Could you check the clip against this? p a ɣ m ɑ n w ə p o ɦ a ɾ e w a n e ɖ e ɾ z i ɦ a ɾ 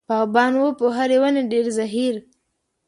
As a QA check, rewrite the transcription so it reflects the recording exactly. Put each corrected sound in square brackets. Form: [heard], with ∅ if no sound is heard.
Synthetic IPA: p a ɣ [b] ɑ n w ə p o ɦ a ɾ e w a n e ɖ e ɾ z [a] ɦ [i] ɾ